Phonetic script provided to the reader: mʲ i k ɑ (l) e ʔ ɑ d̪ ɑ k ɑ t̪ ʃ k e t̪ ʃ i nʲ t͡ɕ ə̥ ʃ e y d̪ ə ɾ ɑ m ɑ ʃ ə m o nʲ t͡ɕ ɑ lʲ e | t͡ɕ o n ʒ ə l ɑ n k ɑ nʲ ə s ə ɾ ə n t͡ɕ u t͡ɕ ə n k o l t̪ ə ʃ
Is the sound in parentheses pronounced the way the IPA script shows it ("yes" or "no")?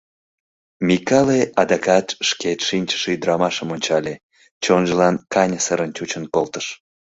yes